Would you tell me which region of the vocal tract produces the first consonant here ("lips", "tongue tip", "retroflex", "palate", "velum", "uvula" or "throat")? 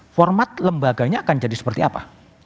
lips